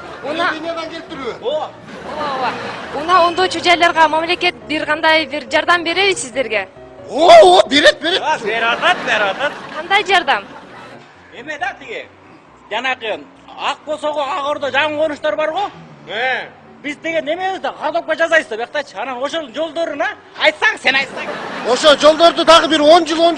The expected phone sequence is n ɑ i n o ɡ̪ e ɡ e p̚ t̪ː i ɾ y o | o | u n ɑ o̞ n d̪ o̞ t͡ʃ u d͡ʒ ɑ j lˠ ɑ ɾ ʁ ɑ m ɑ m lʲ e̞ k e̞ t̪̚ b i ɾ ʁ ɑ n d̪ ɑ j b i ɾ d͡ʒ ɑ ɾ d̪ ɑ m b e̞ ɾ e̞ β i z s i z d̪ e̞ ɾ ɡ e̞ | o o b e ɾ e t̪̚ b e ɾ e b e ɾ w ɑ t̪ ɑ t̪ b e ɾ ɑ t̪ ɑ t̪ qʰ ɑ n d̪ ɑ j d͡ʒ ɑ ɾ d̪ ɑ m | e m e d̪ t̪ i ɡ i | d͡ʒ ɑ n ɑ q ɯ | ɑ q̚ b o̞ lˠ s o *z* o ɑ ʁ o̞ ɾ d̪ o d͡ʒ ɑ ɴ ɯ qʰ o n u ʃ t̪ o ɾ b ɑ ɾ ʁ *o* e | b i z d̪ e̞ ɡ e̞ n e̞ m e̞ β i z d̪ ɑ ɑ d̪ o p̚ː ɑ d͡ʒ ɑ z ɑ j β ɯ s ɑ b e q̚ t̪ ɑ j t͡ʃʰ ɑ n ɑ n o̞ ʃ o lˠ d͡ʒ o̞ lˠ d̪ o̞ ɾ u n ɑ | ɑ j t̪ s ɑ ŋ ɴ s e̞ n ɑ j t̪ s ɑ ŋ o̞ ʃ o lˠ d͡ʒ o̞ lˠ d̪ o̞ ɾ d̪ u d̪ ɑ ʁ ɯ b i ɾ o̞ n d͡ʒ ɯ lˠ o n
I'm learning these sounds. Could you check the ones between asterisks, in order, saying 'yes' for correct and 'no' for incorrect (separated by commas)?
no, yes